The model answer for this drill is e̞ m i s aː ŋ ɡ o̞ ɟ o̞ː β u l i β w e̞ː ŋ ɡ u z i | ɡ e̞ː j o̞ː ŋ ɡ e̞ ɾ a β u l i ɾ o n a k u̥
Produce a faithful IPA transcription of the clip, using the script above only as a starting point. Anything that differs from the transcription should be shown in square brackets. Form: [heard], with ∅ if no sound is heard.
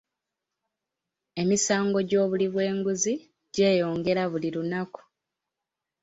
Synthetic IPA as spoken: e̞ m i s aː ŋ ɡ o̞ ɟ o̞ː β u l i β w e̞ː ŋ ɡ u z i | [ɟ] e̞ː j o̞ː ŋ ɡ e̞ ɾ a β u l i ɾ [u] n a k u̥